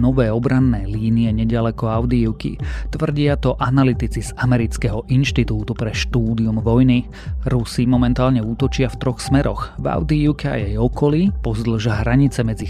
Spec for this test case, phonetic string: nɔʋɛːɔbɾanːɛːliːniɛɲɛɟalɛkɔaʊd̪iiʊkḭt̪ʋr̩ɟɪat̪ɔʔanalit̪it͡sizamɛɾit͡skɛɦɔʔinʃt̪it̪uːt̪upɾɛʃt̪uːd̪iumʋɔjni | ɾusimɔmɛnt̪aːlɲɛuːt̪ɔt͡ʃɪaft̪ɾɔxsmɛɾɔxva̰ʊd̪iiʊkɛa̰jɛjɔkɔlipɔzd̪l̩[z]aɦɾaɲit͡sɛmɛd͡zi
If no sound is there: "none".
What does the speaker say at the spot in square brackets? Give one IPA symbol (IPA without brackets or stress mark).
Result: ʒ